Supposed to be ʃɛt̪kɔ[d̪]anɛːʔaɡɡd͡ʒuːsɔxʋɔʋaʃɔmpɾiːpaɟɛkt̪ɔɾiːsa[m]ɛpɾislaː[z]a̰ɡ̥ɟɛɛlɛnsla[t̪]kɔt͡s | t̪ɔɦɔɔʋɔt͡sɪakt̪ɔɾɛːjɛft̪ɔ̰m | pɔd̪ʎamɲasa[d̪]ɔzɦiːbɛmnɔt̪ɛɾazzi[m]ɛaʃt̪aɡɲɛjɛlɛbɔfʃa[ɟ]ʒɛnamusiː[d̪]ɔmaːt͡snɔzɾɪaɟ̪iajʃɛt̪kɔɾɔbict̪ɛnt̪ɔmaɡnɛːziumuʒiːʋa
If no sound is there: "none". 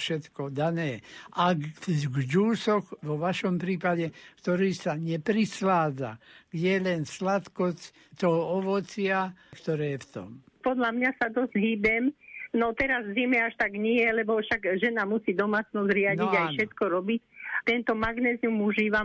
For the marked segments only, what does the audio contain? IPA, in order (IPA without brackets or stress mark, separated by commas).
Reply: d̪, ɲ, d͡z, t̪, d̪, m, ɡ, d̪